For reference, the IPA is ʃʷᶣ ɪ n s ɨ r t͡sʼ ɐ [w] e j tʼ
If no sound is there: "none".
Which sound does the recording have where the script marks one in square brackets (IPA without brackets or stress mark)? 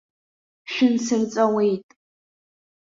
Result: w